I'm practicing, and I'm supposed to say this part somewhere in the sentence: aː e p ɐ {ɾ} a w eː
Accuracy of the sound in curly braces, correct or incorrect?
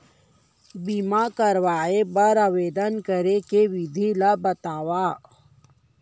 correct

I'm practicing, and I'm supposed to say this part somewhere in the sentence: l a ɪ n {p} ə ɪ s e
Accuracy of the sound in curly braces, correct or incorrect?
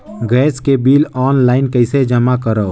incorrect: k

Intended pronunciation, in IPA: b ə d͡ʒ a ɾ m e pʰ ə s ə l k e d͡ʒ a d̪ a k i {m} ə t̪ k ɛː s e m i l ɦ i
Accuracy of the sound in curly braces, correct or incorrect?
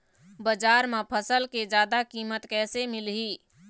correct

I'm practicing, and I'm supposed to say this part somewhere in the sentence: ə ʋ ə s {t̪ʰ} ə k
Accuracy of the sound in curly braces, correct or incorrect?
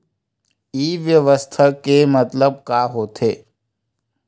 correct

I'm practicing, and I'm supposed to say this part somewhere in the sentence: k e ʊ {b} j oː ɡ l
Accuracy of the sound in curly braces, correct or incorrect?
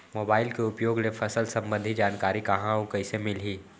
incorrect: p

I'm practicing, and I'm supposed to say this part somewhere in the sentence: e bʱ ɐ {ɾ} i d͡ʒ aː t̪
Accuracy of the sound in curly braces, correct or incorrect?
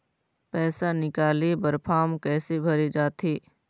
correct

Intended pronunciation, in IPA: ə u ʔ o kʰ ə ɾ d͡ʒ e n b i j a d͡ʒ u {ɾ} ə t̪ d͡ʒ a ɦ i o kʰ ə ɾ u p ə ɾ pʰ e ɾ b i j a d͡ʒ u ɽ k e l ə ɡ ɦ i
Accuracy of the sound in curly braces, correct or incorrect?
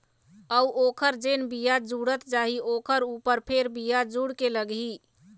incorrect: ɽ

